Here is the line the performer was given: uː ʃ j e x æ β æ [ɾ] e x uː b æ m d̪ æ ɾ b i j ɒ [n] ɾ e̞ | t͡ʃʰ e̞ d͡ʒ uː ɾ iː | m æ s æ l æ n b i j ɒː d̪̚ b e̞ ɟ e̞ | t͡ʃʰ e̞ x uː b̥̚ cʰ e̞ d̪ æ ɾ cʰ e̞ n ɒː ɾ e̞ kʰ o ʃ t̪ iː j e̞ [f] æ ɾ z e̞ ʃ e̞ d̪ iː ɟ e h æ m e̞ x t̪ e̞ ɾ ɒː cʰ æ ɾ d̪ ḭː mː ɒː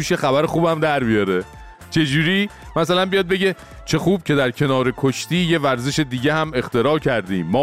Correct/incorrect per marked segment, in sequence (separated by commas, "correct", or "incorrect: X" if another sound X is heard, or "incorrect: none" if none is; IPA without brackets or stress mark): correct, incorrect: none, incorrect: v